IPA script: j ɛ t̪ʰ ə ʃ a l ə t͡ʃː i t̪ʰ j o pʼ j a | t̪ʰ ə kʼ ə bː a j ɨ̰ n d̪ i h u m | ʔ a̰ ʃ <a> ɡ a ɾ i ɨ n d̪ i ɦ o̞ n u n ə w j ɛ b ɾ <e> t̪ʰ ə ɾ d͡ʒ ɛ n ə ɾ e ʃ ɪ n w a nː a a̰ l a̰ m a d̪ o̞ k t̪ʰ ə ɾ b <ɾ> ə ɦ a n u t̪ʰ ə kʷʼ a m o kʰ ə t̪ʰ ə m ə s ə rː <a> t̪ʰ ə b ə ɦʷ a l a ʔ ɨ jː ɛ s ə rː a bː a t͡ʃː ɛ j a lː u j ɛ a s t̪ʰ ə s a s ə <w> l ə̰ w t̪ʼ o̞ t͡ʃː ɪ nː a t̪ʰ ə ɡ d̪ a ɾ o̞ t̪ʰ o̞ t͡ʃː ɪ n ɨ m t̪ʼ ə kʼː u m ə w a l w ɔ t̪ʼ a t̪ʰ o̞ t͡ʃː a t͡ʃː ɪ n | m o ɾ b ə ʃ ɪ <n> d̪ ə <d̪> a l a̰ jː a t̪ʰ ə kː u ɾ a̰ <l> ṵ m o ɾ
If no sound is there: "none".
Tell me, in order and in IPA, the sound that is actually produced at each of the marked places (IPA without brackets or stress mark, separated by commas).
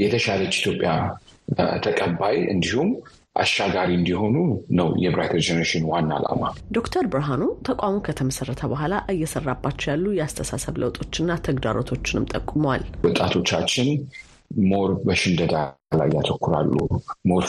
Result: a, a, ɾ, ə, β, n, d̪, lː